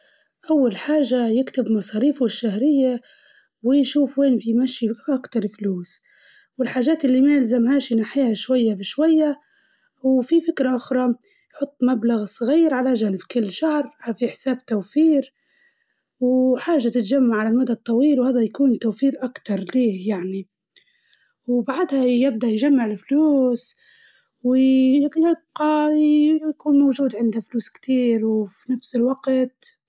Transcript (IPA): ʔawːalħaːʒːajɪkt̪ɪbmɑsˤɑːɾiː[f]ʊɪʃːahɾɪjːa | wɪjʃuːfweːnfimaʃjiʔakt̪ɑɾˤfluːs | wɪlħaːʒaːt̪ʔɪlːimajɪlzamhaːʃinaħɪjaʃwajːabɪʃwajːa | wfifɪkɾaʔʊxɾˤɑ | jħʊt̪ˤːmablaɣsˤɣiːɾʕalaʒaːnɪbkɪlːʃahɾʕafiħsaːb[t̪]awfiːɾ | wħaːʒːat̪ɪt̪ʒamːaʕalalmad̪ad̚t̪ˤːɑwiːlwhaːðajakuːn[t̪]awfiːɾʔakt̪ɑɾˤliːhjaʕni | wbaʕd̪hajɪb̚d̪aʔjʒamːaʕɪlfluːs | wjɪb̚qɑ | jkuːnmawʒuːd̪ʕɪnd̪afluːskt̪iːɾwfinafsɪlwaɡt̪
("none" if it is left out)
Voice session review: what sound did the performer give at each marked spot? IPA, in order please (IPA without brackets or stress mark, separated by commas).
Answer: f, t̪, t̪